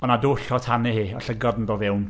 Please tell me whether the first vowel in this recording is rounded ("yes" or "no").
yes